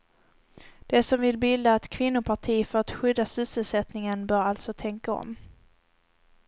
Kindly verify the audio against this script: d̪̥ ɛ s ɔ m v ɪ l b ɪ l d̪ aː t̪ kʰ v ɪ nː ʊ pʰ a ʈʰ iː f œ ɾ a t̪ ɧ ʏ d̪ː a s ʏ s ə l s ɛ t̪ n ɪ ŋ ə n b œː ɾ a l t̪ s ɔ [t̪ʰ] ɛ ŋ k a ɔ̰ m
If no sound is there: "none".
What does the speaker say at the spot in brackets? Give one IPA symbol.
t̪ʰ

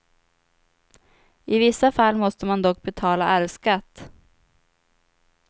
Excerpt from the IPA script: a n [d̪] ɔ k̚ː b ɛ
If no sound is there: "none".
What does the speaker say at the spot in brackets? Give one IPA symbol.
d̪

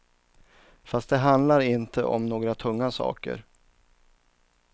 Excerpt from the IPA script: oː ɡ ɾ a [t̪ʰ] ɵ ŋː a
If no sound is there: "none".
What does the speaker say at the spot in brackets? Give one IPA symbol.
t̪ʰ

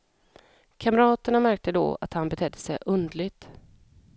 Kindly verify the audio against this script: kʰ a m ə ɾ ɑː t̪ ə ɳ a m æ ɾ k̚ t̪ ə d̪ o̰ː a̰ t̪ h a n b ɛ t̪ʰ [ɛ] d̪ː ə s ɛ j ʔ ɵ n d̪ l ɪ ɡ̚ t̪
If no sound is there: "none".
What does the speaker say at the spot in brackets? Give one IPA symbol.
ɛ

